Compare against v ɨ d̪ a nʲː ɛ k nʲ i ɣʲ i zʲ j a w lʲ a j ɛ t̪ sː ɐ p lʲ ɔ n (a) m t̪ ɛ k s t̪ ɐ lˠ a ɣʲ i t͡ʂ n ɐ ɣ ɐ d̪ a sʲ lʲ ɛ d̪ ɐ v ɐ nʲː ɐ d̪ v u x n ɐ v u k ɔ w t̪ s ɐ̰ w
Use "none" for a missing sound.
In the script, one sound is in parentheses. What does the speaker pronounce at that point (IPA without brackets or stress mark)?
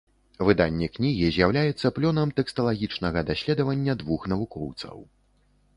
ɐ